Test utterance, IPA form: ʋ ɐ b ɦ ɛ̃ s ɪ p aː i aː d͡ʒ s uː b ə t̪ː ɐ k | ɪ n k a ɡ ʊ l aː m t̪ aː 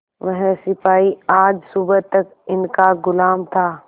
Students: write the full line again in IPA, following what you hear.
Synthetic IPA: ʋ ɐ ɦ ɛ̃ s ɪ p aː i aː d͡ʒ s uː b ə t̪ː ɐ k | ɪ n k a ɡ ʊ l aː m t̪ʰ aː

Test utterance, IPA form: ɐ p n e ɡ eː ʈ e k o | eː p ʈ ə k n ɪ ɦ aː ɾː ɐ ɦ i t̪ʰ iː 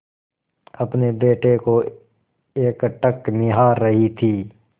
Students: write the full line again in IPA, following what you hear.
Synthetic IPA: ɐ p n e b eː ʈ e k o | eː k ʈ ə k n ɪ ɦ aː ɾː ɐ ɦ i t̪ʰ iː

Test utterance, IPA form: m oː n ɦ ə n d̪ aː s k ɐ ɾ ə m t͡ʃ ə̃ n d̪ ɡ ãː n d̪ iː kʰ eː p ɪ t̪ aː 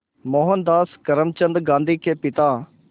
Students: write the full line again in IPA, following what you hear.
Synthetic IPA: m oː ɦ ə n d̪ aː s k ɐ ɾ ə m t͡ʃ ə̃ n d̪ ɡ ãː n d̪ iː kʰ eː p ɪ t̪ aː

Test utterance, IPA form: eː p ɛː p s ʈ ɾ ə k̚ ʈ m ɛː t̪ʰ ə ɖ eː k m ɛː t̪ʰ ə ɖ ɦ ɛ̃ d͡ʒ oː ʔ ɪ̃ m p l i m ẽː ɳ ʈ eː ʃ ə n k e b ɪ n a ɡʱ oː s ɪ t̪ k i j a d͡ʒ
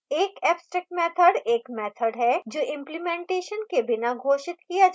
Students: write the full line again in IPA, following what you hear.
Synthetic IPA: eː k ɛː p s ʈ ɾ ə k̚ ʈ m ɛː t̪ʰ ə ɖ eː k m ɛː t̪ʰ ə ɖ ɦ ɛ d͡ʒ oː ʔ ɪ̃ m p l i m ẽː ɳ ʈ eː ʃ ə n k e b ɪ n a ɡʱ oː ʃ ɪ t̪ k i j a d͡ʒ

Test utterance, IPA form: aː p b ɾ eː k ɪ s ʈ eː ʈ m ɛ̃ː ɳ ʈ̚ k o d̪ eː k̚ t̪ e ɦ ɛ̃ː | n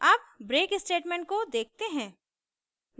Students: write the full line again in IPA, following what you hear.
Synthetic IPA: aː p b ɾ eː k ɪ s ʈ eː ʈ m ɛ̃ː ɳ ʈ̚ k o d̪ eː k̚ t̪ e ɦ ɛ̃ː | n

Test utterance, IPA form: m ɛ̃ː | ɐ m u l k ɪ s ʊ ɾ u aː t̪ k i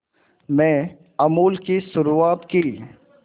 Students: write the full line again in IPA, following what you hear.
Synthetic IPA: m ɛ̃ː | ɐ m uː l k i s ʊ ɾ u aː t̪ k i

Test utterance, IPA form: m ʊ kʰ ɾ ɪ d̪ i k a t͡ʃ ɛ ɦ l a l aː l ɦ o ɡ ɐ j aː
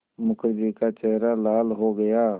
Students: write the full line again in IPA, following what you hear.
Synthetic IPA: m ʊ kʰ ɾ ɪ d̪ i k a t͡ʃ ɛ ɦ ɾ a l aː l ɦ o ɡ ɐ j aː

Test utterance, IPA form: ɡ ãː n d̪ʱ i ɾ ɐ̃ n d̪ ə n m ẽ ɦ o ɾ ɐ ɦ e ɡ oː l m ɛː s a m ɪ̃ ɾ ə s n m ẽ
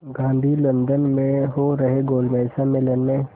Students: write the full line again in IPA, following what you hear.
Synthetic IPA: ɡ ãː n d̪ʱ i l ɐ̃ n d̪ ə n m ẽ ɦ o ɾ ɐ ɦ e ɡ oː l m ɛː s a m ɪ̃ l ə n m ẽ

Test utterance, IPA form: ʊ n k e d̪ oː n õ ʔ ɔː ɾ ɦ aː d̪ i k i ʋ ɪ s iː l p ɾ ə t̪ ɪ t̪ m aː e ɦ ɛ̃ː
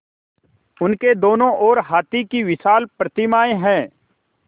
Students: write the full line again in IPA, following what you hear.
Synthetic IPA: ʊ n k e d̪ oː n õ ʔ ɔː ɾ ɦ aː t̪ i k i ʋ ɪ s aː l p ɾ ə t̪ ɪ m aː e ɦ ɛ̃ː

